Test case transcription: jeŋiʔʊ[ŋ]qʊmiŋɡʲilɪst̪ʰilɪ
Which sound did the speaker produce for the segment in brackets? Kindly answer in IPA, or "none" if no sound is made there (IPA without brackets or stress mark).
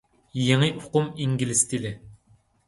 none